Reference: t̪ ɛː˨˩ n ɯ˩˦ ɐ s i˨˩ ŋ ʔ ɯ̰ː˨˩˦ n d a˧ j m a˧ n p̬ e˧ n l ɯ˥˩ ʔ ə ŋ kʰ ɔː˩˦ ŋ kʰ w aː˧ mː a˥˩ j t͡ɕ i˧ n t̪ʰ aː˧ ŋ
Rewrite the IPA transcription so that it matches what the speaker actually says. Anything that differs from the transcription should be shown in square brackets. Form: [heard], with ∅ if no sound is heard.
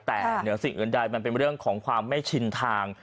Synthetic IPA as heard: t̪ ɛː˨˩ n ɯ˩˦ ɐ s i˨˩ ŋ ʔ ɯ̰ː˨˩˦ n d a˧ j m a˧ n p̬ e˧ n [ɾ] ɯ˥˩ [∅] ə ŋ kʰ ɔː˩˦ ŋ kʰ w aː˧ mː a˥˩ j [t͡ɕʰ] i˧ n t̪ʰ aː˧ ŋ